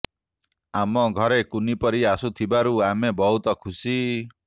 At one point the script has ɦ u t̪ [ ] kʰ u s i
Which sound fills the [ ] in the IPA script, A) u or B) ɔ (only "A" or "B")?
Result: B